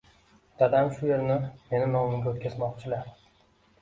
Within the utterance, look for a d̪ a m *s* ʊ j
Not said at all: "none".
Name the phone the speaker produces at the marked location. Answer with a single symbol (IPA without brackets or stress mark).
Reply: ʃ